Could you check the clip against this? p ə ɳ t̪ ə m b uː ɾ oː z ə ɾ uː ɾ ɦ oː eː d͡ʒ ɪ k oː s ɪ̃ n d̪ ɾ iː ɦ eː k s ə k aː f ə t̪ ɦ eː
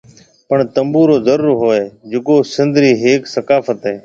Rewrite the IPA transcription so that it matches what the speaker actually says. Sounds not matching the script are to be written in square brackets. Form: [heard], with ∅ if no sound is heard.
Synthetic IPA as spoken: p ə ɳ t̪ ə m b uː ɾ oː z ə ɾ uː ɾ ɦ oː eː d͡ʒ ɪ k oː s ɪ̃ n d̪ ɾ iː ɦ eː k s ə k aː f ə t̪ ɦ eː